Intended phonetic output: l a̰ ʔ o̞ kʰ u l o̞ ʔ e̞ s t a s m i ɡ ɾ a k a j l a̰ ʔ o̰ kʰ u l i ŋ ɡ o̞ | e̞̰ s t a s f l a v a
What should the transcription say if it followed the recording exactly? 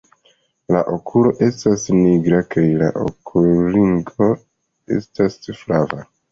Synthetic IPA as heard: l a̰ ʔ o̞ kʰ u l o̞ ʔ e̞ s t a s n i ɡ ɾ a k a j l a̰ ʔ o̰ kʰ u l i ŋ ɡ o̞ | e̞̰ s t a s f l a v a